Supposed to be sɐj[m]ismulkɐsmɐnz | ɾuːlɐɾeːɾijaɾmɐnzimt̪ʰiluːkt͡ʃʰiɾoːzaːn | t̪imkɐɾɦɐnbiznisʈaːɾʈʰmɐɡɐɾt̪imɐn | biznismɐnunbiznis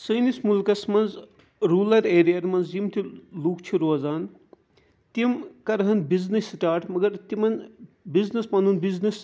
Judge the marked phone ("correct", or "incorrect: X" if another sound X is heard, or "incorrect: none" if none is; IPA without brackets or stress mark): incorrect: n